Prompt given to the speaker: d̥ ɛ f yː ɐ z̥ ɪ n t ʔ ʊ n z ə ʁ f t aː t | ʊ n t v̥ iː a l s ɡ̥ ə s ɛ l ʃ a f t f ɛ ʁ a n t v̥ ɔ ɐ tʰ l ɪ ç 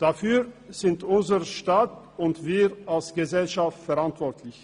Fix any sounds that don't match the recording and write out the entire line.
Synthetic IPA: d̥ a f yː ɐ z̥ ɪ n t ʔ ʊ n z ə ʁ ʃ t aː t | ʊ n t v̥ iː a l s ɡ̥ ə z ɛ l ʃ a f t f ɛ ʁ a n t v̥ ɔ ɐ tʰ l ɪ ç